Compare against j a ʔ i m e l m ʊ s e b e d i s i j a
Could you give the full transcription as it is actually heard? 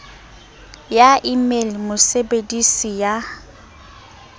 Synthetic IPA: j a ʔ i m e l m ʊ s e b e d i s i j a